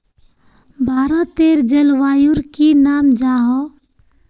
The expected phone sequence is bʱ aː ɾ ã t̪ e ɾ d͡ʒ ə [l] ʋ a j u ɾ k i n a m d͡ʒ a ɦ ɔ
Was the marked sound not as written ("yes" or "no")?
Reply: no